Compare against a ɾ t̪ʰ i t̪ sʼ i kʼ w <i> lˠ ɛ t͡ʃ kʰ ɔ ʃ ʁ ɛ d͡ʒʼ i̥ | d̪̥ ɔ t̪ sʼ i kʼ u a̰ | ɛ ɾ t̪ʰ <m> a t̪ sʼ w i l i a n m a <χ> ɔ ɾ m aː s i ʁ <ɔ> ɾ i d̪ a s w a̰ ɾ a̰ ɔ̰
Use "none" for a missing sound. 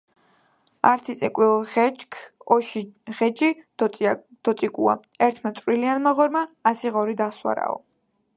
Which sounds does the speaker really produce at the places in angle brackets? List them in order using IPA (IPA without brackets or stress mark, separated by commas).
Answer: i, m, ʁ, ɔ